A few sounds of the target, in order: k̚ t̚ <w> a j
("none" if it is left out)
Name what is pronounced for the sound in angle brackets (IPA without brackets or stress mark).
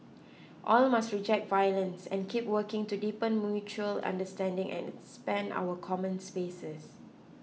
v